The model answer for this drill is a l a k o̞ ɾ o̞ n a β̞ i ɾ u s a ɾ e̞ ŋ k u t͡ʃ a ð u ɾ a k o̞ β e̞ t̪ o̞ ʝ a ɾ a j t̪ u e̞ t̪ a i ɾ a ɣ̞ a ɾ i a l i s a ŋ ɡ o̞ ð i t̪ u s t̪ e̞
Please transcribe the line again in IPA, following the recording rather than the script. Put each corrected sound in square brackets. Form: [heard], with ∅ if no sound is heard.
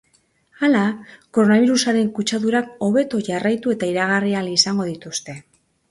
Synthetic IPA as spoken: a l a k o̞ ɾ o̞ n a β̞ i ɾ u s a ɾ e̞ ŋ k u t͡ʃ a ð u ɾ a k o̞ β e̞ t̪ o̞ ʝ a [r] a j t̪ u e̞ t̪ a i ɾ a ɣ̞ a [r] i a l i s a ŋ ɡ o̞ ð i t̪ u s t̪ e̞